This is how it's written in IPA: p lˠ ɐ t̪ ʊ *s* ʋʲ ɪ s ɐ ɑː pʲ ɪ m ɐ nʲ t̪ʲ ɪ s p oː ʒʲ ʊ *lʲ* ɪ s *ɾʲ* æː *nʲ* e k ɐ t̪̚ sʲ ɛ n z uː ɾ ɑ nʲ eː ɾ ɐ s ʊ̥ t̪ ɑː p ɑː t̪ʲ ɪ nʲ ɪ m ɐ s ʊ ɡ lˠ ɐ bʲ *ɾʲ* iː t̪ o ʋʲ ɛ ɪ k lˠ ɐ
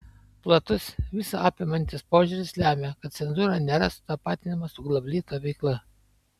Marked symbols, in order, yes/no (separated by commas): yes, no, no, no, no